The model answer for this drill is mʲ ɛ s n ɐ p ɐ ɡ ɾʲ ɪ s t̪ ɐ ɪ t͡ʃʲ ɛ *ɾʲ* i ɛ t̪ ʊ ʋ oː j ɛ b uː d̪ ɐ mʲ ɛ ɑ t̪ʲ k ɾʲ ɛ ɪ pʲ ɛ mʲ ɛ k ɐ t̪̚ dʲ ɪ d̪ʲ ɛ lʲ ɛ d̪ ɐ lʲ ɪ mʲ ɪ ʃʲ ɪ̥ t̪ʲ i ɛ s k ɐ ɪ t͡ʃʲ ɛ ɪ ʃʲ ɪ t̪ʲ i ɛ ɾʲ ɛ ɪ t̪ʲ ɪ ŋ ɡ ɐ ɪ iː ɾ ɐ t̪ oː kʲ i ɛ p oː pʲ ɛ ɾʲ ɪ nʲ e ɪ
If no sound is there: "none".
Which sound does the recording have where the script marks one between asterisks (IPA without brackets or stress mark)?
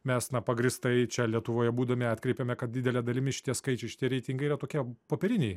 lʲ